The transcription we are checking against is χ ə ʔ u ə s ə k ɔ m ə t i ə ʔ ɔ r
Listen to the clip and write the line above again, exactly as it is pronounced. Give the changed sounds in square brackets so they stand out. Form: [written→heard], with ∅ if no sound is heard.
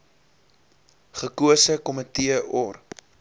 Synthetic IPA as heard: χ ə [ʔ→k] u ə s ə k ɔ m ə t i ə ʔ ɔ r